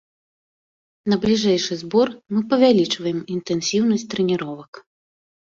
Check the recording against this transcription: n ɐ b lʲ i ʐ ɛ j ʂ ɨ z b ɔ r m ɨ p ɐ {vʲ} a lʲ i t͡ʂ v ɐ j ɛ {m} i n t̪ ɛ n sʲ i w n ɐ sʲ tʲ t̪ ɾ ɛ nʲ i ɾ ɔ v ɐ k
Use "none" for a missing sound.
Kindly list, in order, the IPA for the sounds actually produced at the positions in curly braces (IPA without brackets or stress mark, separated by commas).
vʲ, m